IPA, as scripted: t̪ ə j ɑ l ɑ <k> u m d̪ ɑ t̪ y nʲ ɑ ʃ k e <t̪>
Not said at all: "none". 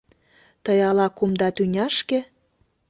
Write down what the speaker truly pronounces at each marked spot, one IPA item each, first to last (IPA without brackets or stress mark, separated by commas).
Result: k, none